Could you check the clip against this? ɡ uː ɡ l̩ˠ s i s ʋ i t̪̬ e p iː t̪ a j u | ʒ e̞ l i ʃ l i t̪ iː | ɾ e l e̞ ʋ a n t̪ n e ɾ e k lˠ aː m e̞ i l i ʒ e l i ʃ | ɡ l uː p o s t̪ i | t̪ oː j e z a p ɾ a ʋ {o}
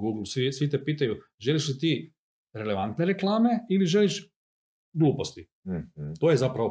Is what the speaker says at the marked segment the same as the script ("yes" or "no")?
yes